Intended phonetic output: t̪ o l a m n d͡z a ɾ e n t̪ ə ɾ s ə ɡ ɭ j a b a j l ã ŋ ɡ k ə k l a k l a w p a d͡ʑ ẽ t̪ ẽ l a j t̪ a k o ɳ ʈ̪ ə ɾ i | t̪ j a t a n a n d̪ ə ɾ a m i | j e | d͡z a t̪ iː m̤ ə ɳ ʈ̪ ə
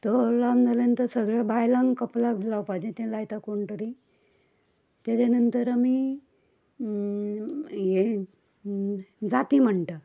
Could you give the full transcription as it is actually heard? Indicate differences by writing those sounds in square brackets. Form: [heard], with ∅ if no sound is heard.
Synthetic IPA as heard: t̪ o l a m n d͡z a [l] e n t̪ ə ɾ s ə ɡ ɭ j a b a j l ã ŋ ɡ k ə [p] l a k l a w p a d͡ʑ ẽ t̪ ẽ l a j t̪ a k o ɳ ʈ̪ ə ɾ i | t̪ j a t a n [ə] n [t̪] ə ɾ a m i | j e | d͡z a t̪ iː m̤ ə ɳ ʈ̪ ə